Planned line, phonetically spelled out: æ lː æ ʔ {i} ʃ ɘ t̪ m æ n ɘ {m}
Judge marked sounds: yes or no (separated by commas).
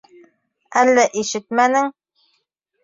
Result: yes, no